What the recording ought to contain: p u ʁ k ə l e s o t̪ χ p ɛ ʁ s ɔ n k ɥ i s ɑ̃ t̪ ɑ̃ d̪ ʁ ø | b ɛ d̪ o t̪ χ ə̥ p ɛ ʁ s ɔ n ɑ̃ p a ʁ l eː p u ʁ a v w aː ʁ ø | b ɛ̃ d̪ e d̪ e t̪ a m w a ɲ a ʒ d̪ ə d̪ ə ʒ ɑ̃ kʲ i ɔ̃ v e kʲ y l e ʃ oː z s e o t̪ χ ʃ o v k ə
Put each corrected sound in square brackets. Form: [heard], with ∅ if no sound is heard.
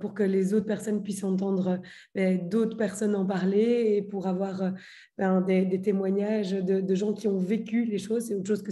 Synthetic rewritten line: p u ʁ k ə l e [z] o t̪ χ p ɛ ʁ s ɔ n [p] ɥ i s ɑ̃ t̪ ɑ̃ d̪ ʁ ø | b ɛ d̪ o t̪ χ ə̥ p ɛ ʁ s ɔ n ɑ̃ p a ʁ l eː p u ʁ a v w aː ʁ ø | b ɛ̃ d̪ e d̪ e t̪ [e] m w a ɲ a ʒ d̪ ə d̪ ə ʒ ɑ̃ kʲ i ɔ̃ v e kʲ y l e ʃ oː z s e o t̪ χ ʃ o [z] k ə